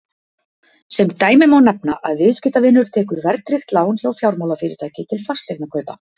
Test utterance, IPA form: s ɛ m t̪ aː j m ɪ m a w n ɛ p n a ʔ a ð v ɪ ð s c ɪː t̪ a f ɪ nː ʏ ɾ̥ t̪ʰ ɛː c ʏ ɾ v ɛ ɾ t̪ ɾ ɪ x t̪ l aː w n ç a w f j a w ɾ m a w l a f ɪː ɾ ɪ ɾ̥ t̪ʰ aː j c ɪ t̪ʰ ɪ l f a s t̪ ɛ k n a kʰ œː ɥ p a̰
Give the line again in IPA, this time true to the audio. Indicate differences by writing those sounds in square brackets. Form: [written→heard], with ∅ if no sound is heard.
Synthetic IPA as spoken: s ɛ m t̪ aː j m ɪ m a w n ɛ p n a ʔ a ð v ɪ ð s c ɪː t̪ a [f→v] ɪ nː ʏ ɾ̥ t̪ʰ ɛː [c→k] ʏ ɾ v ɛ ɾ t̪ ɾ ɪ x t̪ l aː w n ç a w f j a w ɾ m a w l a f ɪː ɾ ɪ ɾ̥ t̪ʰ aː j c ɪ t̪ʰ ɪ l f a s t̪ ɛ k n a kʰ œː ɥ p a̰